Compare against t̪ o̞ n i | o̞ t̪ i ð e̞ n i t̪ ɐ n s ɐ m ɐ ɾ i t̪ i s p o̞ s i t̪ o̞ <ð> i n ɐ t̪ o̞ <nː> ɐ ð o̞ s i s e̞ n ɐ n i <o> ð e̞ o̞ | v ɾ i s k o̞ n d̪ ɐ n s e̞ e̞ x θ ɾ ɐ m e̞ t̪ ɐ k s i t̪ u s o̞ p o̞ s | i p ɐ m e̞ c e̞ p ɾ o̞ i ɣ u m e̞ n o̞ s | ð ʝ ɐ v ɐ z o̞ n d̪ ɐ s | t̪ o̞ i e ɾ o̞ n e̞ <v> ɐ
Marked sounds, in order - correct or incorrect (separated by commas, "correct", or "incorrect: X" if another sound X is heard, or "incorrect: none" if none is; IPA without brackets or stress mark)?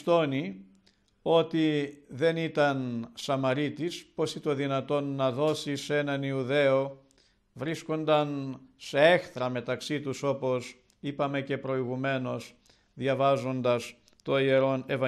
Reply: correct, correct, incorrect: u, correct